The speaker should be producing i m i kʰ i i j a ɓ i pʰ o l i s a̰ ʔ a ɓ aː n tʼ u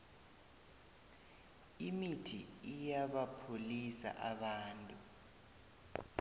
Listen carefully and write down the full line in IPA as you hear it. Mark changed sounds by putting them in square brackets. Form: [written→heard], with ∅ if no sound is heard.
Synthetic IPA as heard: i m i [kʰ→tʰ] i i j a ɓ [i→a] pʰ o l i s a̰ ʔ a ɓ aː n tʼ u